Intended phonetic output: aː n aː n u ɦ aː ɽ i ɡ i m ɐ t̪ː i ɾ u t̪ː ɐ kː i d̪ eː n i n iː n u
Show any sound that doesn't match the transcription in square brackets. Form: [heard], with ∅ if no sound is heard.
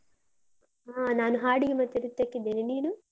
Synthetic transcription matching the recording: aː n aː n u ɦ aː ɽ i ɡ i m ɐ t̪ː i ɾ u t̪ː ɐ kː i d̪ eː n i n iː n u